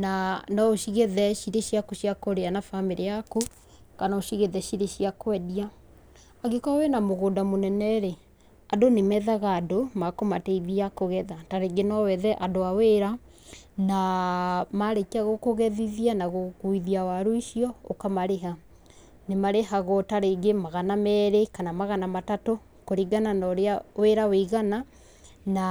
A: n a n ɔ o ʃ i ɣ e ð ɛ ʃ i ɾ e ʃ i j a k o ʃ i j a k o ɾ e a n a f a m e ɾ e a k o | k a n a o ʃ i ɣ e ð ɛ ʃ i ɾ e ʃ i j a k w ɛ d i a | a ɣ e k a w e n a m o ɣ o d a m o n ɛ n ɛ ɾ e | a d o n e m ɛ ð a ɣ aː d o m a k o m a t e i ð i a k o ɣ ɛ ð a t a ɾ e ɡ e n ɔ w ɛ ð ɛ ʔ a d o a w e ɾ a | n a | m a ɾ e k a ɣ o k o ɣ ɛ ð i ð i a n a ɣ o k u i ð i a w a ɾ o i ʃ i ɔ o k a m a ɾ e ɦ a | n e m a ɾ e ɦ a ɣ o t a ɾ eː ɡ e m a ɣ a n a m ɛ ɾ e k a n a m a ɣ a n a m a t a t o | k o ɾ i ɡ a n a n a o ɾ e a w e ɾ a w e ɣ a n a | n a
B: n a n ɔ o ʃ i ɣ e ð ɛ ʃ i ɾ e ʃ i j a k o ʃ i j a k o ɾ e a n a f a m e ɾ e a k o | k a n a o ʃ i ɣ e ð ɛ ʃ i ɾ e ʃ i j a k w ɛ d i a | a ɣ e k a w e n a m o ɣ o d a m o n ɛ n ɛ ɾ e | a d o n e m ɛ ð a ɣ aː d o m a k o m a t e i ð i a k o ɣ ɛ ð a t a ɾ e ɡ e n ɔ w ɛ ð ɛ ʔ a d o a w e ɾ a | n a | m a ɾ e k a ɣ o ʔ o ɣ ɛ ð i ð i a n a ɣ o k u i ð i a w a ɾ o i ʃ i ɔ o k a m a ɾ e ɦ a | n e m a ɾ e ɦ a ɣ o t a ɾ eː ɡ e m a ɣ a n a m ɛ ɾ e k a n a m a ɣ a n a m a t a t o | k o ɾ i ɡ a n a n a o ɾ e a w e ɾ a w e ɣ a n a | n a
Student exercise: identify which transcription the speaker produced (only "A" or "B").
A